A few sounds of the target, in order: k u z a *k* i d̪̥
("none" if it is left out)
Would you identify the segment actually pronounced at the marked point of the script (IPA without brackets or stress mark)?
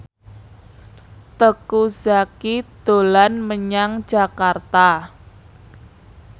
k